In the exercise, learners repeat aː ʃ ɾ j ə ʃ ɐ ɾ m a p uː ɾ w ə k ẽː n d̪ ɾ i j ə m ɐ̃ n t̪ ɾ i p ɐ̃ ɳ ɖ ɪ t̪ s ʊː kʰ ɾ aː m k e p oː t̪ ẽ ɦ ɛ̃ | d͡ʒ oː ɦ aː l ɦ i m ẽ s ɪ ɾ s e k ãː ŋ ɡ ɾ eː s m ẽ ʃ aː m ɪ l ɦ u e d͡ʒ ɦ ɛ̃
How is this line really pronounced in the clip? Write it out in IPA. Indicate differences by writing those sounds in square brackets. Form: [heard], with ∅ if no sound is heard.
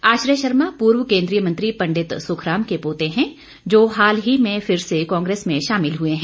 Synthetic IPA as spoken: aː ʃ ɾ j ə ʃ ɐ ɾ m a p uː ɾ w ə k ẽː n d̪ ɾ i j ə m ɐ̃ n t̪ ɾ i p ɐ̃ ɳ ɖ ɪ t̪ s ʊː kʰ ɾ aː m k e p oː t̪ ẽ ɦ ɛ̃ | d͡ʒ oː ɦ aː l ɦ i m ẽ [f] ɪ ɾ s e k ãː ŋ ɡ ɾ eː s m ẽ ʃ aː m ɪ l ɦ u e [∅] ɦ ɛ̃